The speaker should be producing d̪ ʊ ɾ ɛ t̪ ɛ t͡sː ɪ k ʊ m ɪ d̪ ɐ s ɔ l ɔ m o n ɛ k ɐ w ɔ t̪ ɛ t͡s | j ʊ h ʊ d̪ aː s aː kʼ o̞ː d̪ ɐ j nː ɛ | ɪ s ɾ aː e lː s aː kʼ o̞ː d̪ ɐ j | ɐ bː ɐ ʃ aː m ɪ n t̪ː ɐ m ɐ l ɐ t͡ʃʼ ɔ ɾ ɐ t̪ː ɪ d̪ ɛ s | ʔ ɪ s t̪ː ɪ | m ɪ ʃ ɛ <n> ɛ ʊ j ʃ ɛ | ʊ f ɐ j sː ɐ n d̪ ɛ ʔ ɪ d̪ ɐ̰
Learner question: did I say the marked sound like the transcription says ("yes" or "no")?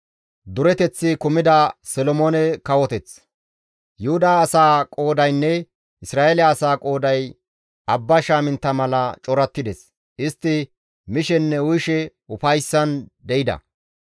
no